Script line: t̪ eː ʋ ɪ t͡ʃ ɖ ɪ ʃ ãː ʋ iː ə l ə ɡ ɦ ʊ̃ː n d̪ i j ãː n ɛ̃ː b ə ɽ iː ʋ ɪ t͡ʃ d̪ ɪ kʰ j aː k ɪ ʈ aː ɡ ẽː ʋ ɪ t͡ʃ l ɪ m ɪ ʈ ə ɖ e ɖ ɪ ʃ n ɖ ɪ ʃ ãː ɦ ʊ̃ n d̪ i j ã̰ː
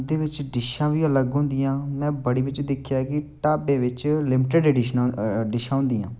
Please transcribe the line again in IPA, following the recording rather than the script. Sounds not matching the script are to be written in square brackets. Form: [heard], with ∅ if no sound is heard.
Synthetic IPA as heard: [d̪] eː ʋ ɪ t͡ʃ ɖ ɪ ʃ ãː ʋ iː ə l ə ɡ ɦ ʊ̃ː n d̪ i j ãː [m] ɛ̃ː b ə ɽ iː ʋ ɪ t͡ʃ d̪ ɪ kʰ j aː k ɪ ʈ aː [b] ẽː ʋ ɪ t͡ʃ l ɪ m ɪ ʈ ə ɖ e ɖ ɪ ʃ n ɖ ɪ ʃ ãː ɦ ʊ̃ n d̪ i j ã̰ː